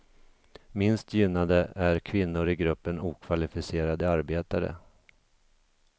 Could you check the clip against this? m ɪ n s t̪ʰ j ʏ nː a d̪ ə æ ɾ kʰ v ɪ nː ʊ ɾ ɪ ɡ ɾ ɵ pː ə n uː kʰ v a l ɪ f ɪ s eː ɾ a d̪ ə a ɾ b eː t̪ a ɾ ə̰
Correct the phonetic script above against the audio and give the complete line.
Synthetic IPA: m ɪ n s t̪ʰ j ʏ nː a d̪ ə æ ɾ kʰ v ɪ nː ʊ ɾ ɪ ɡ ɾ ɵ pː ə n uː kʰ v a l ɪ f ɪ s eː ɾ a d̪ ə a ɾ b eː t̪ a ɾ ə̰